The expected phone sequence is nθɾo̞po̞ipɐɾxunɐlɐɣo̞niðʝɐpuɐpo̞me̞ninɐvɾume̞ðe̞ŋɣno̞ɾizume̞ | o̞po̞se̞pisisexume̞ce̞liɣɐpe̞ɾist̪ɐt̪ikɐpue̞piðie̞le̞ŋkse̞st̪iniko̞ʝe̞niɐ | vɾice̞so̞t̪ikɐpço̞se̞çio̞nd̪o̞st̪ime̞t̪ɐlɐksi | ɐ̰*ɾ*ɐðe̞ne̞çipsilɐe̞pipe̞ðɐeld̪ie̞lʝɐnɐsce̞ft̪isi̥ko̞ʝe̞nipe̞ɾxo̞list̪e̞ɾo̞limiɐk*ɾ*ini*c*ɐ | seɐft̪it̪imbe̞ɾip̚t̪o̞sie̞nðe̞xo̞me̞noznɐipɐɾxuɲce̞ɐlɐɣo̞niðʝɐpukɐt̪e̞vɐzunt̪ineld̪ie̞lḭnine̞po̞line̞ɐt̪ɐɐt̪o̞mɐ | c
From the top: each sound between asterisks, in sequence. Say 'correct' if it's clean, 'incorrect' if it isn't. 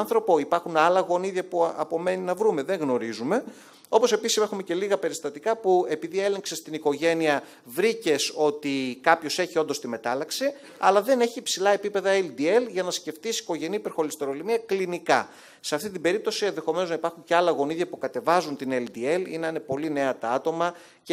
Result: incorrect: l, incorrect: l, incorrect: k

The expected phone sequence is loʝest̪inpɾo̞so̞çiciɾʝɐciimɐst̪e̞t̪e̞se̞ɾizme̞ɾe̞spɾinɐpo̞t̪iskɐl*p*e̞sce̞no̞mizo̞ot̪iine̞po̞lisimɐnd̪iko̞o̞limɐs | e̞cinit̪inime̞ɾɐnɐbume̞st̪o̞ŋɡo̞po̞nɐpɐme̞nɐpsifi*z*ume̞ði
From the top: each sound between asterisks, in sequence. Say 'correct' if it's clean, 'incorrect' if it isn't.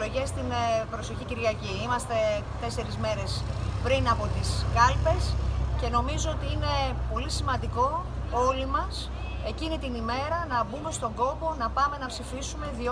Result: correct, incorrect: s

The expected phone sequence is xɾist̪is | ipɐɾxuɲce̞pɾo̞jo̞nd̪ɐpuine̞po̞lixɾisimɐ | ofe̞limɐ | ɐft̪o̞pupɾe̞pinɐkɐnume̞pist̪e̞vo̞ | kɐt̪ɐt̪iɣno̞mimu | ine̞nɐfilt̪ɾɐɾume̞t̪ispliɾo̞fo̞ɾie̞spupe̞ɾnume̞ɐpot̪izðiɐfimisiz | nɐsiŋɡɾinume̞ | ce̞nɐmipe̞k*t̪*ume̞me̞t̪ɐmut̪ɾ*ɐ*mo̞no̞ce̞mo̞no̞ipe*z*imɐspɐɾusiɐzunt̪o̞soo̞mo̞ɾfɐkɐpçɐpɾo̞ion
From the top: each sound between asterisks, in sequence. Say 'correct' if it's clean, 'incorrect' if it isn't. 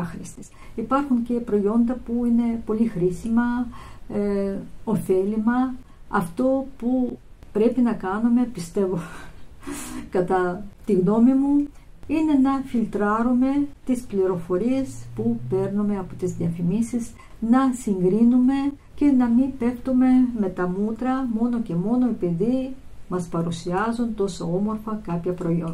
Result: correct, correct, incorrect: ð

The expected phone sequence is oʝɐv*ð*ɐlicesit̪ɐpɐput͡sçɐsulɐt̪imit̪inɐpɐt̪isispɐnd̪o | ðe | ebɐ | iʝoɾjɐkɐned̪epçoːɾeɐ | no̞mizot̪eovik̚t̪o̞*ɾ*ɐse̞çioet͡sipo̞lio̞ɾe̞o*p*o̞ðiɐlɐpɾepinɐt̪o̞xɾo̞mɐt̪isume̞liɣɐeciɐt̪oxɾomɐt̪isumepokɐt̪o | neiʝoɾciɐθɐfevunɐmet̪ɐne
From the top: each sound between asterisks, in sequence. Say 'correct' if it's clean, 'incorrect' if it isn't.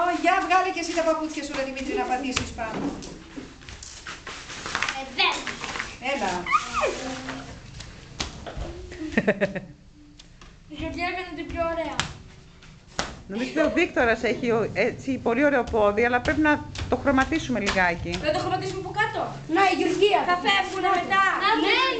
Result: incorrect: ɣ, correct, correct

